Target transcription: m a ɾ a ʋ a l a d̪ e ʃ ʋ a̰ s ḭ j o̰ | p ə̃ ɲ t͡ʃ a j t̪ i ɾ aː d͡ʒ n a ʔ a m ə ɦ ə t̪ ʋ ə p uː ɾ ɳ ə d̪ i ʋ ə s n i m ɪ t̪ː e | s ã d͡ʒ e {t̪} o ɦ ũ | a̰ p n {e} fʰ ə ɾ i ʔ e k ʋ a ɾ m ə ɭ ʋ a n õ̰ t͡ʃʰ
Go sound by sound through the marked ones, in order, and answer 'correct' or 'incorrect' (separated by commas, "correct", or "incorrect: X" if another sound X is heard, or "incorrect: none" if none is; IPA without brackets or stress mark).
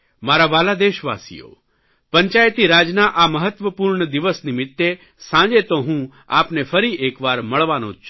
correct, correct